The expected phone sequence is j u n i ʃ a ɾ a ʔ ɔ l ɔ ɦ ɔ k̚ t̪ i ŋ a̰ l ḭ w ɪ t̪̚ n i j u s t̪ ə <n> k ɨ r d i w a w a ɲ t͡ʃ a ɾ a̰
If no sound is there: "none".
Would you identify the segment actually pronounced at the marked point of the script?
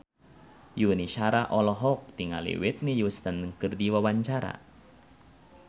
n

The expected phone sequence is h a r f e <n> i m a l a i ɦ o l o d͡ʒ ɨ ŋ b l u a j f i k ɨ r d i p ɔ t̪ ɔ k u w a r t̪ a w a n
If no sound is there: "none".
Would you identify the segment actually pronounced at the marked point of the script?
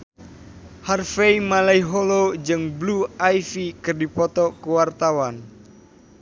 none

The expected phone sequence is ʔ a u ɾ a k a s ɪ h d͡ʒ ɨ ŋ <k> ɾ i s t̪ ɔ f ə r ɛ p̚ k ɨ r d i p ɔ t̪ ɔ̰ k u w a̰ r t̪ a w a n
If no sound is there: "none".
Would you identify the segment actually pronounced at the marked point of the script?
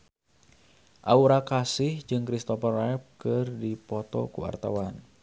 k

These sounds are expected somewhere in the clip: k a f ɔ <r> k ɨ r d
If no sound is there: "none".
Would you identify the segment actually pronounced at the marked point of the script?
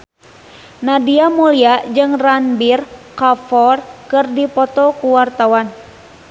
r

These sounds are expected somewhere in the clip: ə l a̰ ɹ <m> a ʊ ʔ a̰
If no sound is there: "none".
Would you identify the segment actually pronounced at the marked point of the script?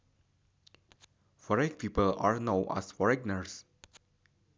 n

